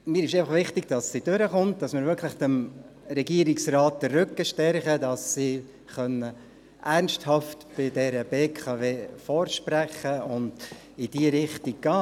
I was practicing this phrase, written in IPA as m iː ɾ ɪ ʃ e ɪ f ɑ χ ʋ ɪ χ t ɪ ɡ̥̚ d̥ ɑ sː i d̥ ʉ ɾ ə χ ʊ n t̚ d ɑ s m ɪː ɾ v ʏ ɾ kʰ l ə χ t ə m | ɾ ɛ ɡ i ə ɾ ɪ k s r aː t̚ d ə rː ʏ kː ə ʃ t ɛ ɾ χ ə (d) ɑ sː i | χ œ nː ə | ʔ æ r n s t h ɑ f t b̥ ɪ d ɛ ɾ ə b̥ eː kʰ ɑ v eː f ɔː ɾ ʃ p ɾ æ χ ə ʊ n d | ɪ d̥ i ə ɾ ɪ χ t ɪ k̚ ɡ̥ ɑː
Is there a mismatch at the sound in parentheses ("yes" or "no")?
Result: no